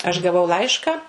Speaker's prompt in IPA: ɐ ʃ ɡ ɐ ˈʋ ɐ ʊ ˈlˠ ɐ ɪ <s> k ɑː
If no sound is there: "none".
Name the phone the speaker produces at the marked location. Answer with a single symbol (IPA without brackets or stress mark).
ʃ